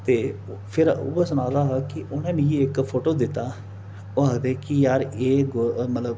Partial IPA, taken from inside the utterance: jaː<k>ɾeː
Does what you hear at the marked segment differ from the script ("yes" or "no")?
yes